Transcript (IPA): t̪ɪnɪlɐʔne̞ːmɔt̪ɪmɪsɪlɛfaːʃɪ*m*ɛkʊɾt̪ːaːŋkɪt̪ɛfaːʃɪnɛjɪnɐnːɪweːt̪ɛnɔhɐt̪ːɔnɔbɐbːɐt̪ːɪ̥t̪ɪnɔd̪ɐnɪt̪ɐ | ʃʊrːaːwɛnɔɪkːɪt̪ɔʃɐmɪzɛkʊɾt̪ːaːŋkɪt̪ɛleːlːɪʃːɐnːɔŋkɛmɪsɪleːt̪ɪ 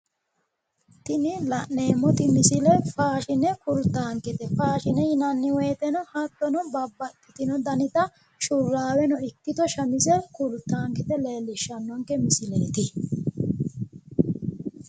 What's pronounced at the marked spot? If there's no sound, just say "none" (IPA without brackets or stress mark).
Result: n